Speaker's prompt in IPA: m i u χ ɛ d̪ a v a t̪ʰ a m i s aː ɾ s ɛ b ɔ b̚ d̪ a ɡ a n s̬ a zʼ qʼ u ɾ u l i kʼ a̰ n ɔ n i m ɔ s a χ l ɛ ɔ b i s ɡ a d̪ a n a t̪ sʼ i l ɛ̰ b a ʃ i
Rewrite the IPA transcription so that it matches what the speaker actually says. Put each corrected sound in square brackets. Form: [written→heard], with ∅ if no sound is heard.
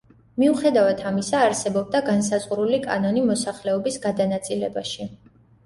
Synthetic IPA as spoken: m i u χ ɛ d̪ a v a t̪ʰ a m i s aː ɾ s ɛ b ɔ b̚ d̪ a ɡ a n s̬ a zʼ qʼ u ɾ u l i kʼ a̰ n ɔ n i m ɔ s a χ l ɛ ɔ b i s ɡ a d̪ a n a t̪ sʼ i l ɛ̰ b a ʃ i